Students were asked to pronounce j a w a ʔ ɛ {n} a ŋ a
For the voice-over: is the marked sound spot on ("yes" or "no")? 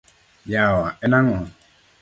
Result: yes